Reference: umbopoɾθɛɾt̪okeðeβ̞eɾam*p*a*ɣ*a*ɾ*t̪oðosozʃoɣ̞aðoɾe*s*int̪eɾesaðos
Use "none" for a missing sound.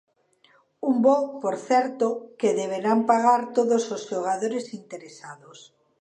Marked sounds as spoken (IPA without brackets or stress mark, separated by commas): p, ɣ, ɾ, s